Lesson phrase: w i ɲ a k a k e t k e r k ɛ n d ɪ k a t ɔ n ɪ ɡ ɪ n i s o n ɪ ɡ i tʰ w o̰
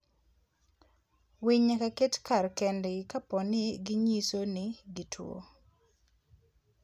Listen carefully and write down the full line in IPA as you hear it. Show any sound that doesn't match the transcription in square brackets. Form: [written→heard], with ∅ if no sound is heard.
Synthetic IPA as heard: w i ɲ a k a k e t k [e→a] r k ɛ n d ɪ k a [t→p] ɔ n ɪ ɡ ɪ [n→ɲ] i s o n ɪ ɡ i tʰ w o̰